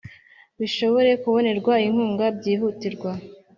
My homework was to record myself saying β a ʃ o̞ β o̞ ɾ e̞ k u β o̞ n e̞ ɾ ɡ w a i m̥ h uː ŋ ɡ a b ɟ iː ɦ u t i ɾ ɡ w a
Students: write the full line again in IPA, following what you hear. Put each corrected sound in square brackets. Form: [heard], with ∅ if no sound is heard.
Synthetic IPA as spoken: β [i] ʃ o̞ β o̞ ɾ e̞ k u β o̞ n e̞ ɾ ɡ w a i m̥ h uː ŋ ɡ a b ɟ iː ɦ u t i ɾ ɡ w a